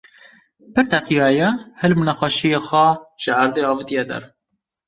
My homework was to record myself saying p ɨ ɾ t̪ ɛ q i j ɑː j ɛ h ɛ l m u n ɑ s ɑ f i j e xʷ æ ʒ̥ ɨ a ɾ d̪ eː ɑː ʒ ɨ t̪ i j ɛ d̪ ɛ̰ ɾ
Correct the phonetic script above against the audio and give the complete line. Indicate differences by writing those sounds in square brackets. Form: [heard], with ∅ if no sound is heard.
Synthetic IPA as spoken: p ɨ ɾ t̪ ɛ q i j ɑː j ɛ h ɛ l m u n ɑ [x] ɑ [ʃ] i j e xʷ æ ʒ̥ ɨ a ɾ d̪ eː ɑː [v] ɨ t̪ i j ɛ d̪ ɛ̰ ɾ